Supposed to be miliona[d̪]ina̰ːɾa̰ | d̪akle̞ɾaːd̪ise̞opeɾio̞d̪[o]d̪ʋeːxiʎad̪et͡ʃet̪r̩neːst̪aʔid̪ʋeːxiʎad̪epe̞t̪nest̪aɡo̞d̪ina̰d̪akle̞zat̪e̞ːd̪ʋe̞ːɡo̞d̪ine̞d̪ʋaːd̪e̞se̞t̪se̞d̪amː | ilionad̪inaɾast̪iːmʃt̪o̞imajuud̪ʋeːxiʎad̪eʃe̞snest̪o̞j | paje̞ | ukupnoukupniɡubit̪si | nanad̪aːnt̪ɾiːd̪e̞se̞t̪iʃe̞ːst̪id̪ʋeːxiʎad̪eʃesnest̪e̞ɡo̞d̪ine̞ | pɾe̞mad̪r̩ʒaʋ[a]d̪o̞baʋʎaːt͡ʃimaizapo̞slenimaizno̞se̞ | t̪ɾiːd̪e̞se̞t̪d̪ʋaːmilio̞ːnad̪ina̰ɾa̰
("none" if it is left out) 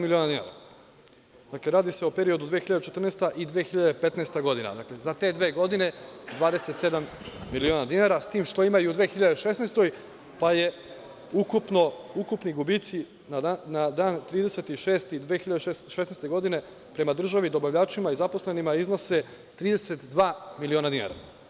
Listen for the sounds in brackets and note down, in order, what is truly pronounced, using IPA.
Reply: d̪, u, i

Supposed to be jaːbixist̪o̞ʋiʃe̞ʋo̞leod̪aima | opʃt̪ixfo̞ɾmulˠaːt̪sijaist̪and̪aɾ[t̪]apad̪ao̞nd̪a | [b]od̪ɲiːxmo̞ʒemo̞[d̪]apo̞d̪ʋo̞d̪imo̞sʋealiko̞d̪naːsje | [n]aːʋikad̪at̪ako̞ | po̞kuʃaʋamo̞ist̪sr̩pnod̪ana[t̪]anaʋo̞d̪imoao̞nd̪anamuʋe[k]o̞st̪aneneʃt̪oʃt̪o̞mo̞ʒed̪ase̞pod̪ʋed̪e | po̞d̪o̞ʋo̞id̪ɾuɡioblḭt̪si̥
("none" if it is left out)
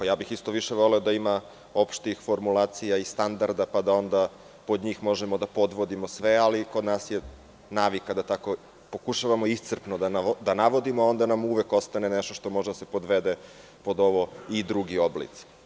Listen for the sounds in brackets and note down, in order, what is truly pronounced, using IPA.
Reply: d̪, p, d̪, n, d̪, k

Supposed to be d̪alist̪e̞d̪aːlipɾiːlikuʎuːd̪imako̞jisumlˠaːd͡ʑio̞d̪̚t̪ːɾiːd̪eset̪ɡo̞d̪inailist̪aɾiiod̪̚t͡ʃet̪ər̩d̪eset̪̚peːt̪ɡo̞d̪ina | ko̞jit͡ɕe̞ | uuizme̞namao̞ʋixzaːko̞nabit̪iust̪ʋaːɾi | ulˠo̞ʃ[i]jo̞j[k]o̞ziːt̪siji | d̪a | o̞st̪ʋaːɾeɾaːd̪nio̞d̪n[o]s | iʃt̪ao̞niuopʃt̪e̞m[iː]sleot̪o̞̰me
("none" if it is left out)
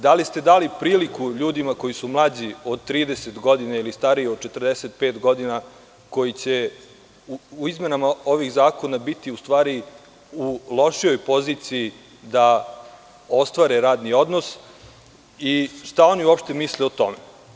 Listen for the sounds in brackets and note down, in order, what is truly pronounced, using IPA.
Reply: i, p, o, i

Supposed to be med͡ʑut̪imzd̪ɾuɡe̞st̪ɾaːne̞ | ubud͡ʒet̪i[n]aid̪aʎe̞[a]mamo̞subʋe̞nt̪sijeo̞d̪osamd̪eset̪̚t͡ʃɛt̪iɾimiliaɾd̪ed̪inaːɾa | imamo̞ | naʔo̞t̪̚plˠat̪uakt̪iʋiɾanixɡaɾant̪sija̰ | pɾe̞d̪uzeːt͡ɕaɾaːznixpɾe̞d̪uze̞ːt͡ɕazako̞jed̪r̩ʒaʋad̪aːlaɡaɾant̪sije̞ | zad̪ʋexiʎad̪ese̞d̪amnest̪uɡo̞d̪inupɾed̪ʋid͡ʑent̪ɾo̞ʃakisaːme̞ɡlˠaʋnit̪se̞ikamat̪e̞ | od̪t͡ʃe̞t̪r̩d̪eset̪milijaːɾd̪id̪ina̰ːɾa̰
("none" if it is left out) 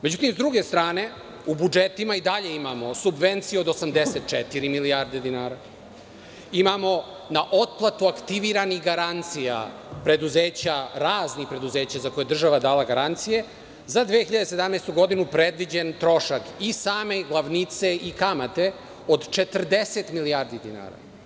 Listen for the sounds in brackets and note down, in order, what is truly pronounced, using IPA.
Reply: m, i

